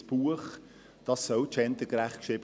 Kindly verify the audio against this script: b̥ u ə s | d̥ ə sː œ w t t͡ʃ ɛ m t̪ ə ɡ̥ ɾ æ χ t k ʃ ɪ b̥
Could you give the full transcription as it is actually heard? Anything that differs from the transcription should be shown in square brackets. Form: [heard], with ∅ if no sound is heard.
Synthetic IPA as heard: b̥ u ə [χ] | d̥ [ɑ] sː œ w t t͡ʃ ɛ [n] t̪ ə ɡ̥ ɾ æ χ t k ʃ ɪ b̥